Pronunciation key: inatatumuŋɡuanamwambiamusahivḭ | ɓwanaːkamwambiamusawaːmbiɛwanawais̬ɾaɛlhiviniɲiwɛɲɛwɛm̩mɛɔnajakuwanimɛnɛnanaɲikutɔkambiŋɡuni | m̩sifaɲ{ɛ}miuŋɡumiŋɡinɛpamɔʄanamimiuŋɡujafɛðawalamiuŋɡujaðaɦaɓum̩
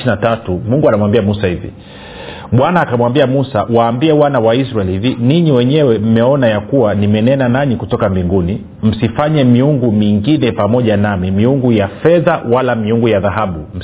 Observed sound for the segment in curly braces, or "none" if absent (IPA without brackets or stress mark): ɛ